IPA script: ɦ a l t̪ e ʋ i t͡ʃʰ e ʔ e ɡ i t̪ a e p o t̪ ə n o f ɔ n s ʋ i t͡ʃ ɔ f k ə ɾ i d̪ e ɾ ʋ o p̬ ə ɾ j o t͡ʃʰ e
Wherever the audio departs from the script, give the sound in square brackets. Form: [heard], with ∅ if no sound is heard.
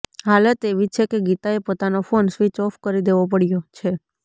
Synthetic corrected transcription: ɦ a l t̪ e ʋ i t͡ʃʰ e [k] e ɡ i t̪ a e p o t̪ [a] n o f [o] n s ʋ i t͡ʃ ɔ f k ə ɾ i d̪ e [∅] ʋ o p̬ ə [ɽ] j o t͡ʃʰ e